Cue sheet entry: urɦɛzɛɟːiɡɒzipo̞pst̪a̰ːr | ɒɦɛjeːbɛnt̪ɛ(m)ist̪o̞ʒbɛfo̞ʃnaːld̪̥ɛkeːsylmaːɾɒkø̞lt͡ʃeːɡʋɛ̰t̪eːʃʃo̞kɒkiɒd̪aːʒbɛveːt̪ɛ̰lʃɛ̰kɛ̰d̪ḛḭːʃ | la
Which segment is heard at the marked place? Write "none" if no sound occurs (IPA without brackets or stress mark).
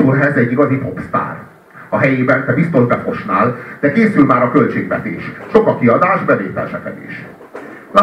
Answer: b